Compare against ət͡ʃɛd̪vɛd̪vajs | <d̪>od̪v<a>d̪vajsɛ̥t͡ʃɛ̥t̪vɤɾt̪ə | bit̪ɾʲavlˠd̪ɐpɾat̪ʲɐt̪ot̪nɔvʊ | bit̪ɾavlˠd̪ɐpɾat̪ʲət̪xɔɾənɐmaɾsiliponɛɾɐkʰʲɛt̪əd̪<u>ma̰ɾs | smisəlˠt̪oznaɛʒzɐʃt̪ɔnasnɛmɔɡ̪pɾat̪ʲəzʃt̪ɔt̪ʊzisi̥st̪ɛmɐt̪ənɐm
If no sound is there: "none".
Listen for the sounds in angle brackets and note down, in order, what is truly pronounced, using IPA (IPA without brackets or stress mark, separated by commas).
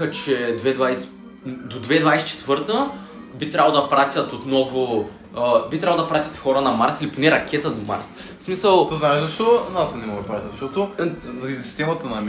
d̪, ɛ, o